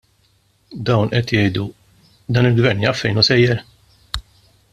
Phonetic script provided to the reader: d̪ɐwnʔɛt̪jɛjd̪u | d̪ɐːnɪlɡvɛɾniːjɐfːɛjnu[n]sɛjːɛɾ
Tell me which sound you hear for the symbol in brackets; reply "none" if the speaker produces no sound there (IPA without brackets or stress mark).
none